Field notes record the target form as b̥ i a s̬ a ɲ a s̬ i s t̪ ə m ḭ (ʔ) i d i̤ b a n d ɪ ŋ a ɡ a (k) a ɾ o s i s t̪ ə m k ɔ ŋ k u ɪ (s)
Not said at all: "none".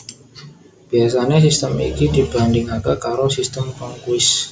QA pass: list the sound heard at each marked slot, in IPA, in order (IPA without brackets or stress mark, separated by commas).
k, k, s